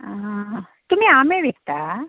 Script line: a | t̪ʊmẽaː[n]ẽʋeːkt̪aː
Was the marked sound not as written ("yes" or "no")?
yes